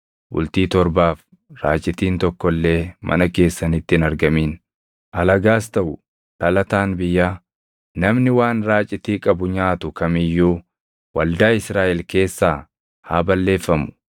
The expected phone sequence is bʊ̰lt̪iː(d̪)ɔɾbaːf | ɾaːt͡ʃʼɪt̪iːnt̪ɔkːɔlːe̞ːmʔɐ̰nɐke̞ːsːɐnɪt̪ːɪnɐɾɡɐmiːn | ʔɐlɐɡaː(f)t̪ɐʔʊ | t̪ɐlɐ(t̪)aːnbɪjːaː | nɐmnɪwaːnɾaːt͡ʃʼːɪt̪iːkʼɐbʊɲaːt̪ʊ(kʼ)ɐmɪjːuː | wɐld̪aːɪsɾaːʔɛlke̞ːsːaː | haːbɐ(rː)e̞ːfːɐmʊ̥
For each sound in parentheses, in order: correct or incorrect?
incorrect, incorrect, correct, incorrect, incorrect

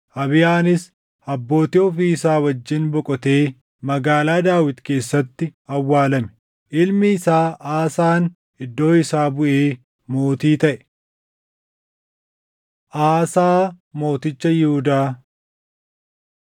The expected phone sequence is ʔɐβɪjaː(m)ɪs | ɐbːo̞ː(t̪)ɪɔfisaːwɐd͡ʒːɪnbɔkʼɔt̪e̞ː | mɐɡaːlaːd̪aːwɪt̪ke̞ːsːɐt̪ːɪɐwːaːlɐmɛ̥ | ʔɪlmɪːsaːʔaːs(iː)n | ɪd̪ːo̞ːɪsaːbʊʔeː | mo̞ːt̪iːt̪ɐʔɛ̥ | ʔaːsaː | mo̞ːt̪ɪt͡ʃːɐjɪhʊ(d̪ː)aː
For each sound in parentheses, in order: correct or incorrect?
incorrect, correct, incorrect, incorrect

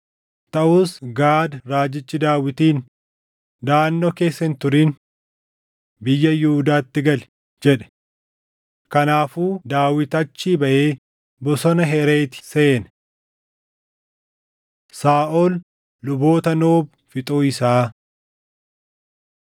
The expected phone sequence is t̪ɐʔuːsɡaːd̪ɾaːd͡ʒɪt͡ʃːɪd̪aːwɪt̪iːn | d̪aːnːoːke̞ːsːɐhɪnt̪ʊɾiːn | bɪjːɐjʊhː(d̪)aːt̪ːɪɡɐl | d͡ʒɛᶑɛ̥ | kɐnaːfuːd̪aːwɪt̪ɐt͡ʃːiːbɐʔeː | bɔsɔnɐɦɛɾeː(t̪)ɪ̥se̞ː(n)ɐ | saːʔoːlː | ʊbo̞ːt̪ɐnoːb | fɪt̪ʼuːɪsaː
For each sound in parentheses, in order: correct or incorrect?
correct, correct, correct

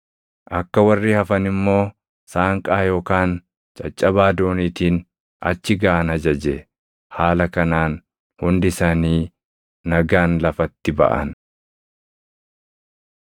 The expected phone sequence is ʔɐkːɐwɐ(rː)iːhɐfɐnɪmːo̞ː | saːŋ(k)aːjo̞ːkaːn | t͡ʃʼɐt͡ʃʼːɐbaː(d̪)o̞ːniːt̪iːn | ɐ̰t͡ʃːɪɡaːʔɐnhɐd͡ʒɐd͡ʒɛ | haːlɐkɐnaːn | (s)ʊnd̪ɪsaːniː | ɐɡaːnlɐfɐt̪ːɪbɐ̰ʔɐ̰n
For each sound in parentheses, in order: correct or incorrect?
correct, incorrect, correct, incorrect

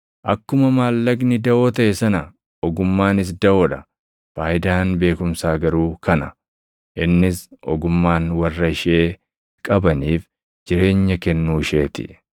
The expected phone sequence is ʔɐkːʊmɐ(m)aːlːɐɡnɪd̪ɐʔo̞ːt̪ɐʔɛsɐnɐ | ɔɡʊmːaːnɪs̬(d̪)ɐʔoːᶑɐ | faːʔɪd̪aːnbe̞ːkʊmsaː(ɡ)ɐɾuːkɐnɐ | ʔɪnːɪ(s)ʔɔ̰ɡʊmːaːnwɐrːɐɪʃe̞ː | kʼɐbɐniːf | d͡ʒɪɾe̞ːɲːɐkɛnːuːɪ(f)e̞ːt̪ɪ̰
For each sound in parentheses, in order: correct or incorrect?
correct, correct, correct, correct, incorrect

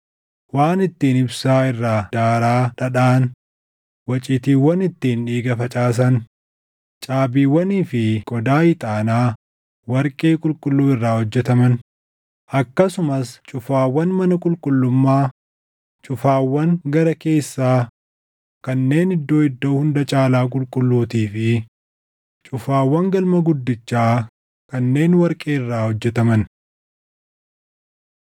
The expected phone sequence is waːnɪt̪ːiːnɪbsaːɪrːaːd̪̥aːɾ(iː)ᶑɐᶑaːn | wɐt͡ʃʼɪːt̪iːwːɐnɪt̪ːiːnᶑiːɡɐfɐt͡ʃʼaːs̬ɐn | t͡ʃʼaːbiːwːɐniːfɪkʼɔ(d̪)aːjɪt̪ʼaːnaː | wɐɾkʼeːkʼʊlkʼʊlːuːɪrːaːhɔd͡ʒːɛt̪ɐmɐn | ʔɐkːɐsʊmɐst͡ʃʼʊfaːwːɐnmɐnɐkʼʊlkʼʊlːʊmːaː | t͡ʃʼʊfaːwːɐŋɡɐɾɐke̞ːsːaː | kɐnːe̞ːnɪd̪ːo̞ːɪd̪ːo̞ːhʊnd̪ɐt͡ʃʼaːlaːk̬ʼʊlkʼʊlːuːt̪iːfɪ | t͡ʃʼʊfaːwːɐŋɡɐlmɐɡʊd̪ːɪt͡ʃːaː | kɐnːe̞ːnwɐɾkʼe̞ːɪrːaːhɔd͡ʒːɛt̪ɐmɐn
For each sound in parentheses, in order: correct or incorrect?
incorrect, correct

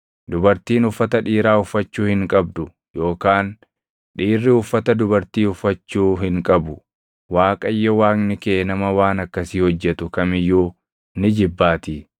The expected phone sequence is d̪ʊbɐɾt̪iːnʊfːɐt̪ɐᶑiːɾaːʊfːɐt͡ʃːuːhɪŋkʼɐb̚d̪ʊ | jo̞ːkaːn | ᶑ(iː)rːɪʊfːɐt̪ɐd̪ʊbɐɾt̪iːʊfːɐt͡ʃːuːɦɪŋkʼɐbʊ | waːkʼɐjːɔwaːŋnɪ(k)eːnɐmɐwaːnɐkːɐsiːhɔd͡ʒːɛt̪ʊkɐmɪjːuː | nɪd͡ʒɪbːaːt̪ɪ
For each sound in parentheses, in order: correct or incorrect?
correct, correct

